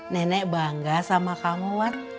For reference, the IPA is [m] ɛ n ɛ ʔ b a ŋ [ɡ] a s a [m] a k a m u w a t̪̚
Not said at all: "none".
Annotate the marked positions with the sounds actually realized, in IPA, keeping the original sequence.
n, ɡ, m

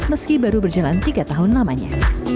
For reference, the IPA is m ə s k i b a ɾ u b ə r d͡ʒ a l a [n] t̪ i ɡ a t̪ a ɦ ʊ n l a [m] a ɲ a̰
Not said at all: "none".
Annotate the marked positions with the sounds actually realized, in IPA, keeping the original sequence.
n, m

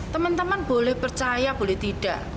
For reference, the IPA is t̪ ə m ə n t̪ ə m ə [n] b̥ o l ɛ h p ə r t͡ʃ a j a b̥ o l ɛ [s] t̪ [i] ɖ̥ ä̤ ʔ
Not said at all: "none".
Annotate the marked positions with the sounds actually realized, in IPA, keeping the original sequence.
n, h, i

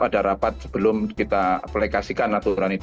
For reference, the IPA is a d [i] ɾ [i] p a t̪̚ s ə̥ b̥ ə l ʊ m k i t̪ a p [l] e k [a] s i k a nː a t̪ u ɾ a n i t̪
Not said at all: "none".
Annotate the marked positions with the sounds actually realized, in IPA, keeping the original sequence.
a, a, l, a

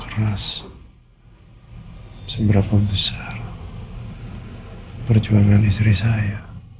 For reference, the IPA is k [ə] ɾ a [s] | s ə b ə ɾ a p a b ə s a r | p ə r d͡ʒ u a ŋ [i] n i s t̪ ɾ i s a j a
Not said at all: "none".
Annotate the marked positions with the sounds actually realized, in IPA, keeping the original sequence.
ə, s, a

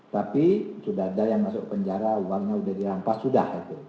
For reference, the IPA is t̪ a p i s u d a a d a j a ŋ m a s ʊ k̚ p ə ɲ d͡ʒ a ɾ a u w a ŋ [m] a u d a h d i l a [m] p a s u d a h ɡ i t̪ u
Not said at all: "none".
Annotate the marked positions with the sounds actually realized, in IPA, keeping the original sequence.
ɲ, m

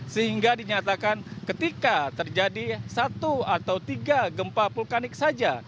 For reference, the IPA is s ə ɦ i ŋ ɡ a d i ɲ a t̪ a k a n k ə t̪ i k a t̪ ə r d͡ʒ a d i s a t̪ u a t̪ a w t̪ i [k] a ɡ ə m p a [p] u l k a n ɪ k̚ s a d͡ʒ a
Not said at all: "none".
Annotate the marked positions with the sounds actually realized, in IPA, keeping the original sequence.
ɡ, p

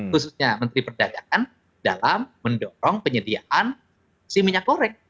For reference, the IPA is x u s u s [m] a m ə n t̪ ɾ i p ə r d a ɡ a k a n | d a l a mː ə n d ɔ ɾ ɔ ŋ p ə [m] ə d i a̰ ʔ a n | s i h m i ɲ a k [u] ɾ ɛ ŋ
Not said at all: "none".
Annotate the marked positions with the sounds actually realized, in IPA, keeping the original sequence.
ɲ, ɲ, o

